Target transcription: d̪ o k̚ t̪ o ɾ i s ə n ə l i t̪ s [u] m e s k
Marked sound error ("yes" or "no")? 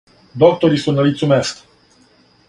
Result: no